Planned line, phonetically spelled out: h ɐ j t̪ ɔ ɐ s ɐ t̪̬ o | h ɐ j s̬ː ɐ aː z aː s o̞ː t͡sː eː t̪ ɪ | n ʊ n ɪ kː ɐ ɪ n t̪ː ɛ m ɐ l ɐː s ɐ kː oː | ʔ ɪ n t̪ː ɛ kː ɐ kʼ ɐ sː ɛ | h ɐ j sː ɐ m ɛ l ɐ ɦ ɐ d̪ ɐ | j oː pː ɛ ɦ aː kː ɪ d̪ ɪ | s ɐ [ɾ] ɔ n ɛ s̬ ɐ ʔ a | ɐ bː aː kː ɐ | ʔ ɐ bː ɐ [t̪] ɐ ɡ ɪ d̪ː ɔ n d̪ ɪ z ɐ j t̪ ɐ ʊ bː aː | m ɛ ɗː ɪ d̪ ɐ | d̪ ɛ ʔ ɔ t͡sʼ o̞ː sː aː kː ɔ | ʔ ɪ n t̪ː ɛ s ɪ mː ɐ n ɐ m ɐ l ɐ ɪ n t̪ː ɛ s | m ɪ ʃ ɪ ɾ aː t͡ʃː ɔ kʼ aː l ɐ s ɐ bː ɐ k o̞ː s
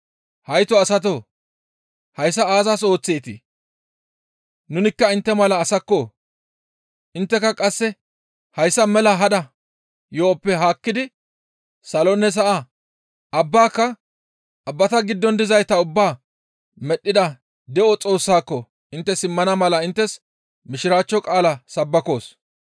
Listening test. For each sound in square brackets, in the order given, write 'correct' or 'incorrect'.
incorrect, correct

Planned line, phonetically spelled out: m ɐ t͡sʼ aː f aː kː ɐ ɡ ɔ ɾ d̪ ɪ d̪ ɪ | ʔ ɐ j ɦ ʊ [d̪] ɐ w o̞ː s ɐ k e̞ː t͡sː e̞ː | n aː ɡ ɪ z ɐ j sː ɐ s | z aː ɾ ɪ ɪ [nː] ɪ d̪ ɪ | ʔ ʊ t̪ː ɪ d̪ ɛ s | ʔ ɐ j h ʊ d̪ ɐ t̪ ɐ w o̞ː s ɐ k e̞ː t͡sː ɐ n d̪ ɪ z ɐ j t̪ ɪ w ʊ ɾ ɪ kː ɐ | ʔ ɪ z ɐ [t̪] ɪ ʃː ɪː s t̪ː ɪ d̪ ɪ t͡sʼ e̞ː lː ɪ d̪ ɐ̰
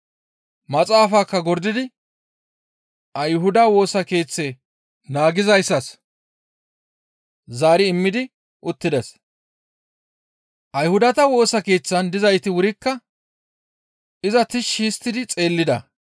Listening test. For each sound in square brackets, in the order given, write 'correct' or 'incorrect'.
correct, incorrect, correct

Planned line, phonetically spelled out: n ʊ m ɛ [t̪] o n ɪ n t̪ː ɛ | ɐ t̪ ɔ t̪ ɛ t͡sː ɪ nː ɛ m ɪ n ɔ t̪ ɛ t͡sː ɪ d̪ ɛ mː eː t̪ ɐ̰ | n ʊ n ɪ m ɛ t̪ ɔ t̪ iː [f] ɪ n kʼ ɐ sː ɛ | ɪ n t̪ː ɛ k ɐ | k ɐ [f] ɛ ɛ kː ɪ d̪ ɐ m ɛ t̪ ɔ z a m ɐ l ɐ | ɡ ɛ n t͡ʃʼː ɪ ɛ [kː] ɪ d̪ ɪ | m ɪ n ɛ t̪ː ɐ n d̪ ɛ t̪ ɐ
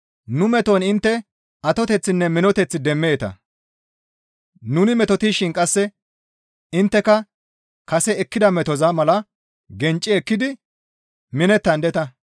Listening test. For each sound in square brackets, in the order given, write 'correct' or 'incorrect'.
correct, incorrect, incorrect, correct

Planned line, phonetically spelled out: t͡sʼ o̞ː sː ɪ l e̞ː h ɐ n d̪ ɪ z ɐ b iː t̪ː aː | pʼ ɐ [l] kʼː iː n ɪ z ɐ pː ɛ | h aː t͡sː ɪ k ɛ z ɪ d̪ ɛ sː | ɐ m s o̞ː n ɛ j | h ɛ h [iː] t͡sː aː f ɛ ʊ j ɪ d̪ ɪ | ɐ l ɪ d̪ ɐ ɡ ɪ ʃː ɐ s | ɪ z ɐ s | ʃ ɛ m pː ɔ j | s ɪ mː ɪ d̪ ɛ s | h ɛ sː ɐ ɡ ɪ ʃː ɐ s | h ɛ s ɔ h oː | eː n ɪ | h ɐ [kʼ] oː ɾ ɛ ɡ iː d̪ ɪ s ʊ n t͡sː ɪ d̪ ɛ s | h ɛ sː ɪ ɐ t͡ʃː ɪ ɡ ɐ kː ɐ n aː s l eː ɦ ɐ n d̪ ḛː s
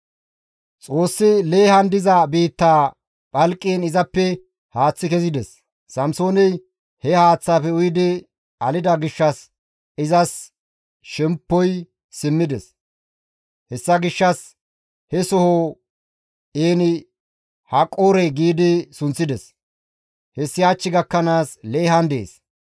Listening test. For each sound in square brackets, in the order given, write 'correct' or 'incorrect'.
correct, incorrect, correct

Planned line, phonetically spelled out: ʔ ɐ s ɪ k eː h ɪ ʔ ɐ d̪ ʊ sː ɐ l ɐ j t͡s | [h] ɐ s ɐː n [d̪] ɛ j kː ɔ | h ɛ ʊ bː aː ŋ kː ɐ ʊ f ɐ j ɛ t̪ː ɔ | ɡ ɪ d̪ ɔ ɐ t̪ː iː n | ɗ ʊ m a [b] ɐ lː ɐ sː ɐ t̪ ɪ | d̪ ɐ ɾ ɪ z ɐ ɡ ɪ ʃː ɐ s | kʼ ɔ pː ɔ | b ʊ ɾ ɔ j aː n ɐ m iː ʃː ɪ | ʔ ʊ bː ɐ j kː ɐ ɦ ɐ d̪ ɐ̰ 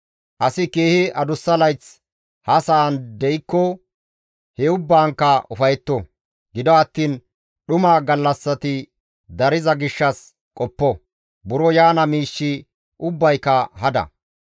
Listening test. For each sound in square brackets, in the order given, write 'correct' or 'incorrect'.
correct, correct, incorrect

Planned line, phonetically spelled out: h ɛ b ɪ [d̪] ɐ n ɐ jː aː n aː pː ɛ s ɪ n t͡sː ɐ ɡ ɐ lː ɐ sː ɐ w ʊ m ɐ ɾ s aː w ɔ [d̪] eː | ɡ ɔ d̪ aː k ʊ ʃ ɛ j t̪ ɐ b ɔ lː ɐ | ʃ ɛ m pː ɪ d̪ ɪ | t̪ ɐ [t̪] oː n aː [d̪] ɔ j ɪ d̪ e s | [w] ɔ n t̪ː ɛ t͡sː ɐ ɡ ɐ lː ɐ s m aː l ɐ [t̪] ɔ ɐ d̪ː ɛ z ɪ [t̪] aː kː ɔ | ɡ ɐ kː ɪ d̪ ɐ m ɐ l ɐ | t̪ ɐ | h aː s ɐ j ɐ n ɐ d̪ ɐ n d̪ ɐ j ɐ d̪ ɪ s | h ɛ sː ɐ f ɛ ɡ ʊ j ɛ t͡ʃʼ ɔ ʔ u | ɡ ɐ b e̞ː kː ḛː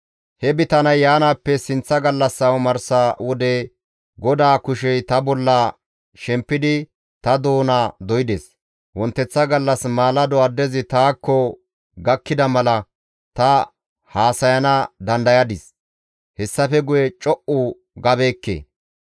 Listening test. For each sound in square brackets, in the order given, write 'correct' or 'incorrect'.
incorrect, correct, incorrect, correct, correct, incorrect, correct

